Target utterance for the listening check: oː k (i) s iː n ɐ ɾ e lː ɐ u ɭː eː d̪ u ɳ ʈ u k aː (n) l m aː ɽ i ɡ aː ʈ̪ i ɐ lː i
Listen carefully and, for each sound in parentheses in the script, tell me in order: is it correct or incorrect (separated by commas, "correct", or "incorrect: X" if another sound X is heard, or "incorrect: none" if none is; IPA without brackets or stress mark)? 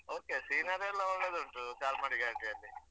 incorrect: e, incorrect: none